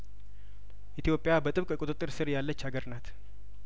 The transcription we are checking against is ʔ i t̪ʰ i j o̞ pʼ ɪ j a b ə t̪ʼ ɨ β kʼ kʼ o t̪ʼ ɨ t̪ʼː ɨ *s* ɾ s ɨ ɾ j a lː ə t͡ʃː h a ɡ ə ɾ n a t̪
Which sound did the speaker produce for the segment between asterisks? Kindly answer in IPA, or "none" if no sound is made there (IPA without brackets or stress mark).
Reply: none